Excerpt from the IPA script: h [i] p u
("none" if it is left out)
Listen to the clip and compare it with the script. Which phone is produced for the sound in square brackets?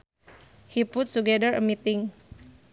i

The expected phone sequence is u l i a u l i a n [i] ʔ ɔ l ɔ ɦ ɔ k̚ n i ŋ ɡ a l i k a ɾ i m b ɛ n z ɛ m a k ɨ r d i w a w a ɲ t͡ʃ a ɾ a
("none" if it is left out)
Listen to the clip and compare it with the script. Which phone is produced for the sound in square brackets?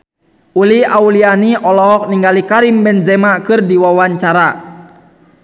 i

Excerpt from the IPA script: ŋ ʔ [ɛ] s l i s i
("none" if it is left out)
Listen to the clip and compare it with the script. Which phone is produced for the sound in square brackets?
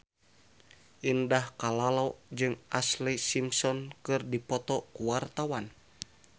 a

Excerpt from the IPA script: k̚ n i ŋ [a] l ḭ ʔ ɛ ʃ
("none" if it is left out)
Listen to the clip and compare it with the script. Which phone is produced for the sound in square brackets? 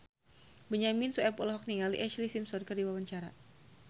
a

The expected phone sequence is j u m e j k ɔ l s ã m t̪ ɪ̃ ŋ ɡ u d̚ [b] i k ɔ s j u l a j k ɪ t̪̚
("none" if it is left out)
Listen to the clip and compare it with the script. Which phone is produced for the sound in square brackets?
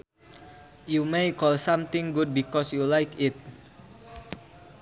b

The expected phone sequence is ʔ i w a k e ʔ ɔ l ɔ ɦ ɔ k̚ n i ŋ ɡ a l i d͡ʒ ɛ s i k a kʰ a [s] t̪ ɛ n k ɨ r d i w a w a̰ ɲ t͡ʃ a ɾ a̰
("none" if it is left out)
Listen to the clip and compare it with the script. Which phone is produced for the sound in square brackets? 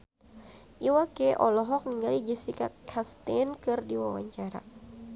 s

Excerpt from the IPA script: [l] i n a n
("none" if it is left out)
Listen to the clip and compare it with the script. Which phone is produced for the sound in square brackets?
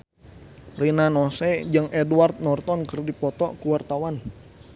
r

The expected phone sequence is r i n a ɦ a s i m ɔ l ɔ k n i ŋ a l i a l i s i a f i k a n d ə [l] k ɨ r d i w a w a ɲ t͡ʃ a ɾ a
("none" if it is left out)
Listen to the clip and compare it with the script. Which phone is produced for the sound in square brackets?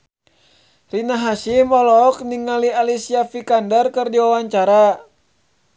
r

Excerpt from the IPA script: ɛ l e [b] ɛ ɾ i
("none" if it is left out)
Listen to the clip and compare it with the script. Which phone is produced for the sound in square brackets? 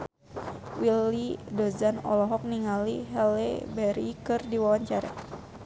b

